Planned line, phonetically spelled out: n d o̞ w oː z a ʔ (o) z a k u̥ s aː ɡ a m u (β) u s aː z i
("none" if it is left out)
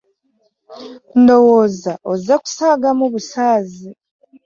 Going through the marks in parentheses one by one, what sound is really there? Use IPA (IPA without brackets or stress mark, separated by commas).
o, β